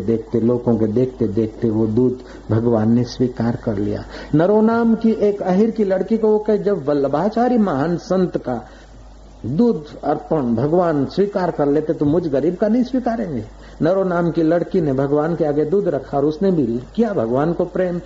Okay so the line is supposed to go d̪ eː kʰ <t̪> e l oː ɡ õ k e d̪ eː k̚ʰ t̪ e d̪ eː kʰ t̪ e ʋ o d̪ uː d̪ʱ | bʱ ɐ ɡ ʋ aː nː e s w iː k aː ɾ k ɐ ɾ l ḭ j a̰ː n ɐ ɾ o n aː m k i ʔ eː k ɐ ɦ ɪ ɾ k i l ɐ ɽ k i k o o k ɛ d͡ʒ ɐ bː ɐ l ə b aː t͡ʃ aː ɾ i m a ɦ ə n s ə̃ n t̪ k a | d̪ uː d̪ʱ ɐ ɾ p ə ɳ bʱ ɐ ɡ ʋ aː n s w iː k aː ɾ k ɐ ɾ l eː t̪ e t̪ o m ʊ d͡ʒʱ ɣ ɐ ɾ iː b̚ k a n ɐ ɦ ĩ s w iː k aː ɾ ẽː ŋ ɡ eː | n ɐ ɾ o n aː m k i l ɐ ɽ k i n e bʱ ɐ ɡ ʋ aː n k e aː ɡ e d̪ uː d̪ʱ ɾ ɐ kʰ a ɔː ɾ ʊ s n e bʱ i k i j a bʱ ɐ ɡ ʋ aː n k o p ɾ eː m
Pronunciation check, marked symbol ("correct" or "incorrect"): correct